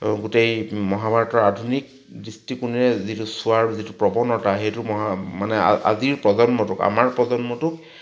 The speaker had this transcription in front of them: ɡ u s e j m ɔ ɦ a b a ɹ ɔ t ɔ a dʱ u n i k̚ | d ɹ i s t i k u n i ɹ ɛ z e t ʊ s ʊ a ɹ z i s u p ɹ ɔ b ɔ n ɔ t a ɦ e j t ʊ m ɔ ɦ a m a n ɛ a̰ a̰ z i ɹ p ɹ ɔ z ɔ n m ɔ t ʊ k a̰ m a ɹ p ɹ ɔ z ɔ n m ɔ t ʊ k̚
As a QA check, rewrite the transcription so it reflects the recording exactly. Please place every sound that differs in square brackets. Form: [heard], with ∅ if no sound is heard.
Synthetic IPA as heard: ɡ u [t] e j m ɔ ɦ a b a ɹ ɔ t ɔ a dʱ u n i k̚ | d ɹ i s t i k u n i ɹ ɛ z [i] t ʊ s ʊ a ɹ z i [t] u p ɹ ɔ b ɔ n ɔ t a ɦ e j t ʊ m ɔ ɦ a m a n ɛ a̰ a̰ z i ɹ p ɹ ɔ z ɔ n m ɔ t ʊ k a̰ m a ɹ p ɹ ɔ z ɔ n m ɔ t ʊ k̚